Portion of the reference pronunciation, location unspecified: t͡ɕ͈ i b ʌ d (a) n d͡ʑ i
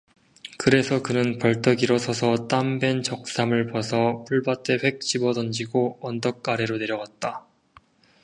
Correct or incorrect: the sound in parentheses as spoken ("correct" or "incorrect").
incorrect